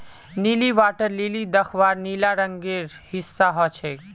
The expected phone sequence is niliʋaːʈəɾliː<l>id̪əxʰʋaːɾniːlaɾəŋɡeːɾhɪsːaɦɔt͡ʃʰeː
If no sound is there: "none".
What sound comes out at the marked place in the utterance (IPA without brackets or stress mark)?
l